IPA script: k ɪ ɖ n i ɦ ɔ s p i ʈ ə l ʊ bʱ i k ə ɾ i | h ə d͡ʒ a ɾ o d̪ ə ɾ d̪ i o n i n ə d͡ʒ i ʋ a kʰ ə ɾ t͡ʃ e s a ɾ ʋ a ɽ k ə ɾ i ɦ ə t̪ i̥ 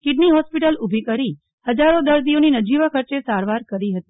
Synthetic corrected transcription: k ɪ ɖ n i ɦ ɔ s p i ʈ ə l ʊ bʱ i k ə ɾ i | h ə d͡ʒ a ɾ o d̪ ə ɾ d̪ i o n i n ə d͡ʒ i ʋ a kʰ ə ɾ t͡ʃ e s a ɾ ʋ a ɾ k ə ɾ i ɦ ə t̪ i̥